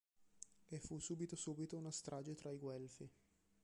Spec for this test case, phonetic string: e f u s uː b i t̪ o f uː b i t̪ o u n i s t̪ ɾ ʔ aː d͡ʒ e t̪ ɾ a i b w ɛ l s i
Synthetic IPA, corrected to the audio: e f u s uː b i t̪ o s uː b i t̪ o u n a s t̪ ɾ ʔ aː d͡ʒ e t̪ ɾ a i ɡ w ɛ l f i